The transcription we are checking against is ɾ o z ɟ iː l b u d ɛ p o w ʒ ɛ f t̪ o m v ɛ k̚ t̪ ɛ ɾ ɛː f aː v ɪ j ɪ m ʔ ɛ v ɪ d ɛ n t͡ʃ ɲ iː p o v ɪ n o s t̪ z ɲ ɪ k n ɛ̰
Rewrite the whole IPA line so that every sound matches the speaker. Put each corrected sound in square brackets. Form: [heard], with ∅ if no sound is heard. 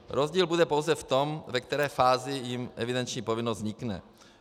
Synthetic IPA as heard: ɾ o z ɟ iː l b u d ɛ p o w [z] ɛ f t̪ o m v ɛ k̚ t̪ ɛ ɾ ɛː f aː [z] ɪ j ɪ m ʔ ɛ v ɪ d ɛ n t͡ʃ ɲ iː p o v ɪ n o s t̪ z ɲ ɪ k n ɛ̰